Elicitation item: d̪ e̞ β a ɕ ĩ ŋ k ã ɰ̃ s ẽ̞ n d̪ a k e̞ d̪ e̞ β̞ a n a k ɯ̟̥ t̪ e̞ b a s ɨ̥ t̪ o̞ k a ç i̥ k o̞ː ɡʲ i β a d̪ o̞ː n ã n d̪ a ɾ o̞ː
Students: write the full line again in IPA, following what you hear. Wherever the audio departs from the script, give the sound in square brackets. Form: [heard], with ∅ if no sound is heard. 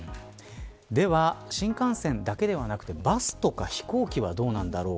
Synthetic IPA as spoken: d̪ e̞ β a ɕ ĩ ŋ k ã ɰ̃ s ẽ̞ n d̪ a k e̞ d̪ e̞ β̞ a n a k ɯ̟̥ t̪ e̞ b a s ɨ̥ t̪ o̞ k a ç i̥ k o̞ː [kʲ] i β a d̪ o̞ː n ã n d̪ a ɾ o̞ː

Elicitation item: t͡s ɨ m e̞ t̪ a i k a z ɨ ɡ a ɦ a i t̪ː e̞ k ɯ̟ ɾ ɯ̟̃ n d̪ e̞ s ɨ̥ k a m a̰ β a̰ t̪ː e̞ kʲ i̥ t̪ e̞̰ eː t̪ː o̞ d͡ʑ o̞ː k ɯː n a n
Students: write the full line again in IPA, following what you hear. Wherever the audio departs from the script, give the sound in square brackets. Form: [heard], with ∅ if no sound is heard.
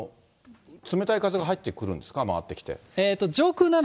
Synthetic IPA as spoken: t͡s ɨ m e̞ t̪ a i k a z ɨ ɡ a ɦ a i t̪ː e̞ k ɯ̟ ɾ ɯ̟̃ n d̪ e̞ s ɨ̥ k a m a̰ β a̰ t̪ː e̞ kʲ i̥ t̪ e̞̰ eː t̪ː o̞ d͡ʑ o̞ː k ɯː n a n

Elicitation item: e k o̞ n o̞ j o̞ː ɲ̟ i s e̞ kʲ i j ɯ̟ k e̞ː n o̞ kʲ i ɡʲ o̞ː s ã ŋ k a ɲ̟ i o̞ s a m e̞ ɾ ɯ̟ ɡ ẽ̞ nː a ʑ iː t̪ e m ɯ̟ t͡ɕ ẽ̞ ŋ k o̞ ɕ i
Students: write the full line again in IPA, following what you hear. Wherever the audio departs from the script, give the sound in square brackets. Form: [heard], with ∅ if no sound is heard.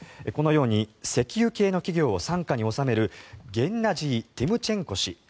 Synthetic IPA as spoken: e k o̞ n o̞ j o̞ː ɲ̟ i s e̞ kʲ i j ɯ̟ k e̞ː n o̞ kʲ i ɡʲ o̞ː s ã ŋ k a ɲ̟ i o̞ s a m e̞ ɾ ɯ̟ ɡ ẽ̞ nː a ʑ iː t̪ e m ɯ̟ t͡ɕ ẽ̞ ŋ k o̞ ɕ i

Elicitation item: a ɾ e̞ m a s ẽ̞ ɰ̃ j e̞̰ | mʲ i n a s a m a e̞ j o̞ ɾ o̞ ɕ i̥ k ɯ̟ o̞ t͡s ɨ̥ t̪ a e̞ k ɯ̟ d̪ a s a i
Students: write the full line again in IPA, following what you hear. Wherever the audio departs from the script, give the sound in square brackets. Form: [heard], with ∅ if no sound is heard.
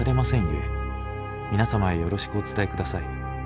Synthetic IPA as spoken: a ɾ e̞ m a s ẽ̞ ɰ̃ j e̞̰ | mʲ i n a s a m a e̞ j o̞ ɾ o̞ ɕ i̥ k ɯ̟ o̞ t͡s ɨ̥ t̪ a e̞ k ɯ̟ d̪ a s a i

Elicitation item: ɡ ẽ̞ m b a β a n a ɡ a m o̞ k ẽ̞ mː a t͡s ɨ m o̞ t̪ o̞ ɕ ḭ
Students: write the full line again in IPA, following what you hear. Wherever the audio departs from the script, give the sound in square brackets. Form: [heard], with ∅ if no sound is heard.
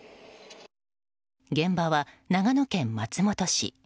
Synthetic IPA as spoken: ɡ ẽ̞ m b a β a n a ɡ a [n] o̞ k ẽ̞ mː a t͡s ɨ m o̞ t̪ o̞ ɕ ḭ

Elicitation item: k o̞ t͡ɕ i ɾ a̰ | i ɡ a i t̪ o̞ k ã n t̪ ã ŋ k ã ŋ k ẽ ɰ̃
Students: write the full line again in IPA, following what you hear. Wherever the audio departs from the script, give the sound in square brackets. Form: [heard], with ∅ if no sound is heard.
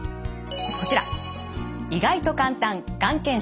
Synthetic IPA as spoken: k o̞ t͡ɕ i ɾ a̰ | i ɡ a i t̪ o̞ k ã n t̪ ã ŋ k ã ŋ k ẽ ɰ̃

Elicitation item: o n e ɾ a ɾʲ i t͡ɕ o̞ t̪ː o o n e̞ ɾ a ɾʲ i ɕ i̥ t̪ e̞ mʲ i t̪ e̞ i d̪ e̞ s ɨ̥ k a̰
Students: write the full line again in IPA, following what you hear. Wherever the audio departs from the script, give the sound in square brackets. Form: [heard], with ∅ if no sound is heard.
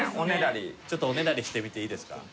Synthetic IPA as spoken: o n e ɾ a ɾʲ i t͡ɕ o̞ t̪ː o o n e̞ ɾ a ɾʲ i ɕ i̥ t̪ e̞ mʲ i t̪ e̞ [iː] d̪ e̞ s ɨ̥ k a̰

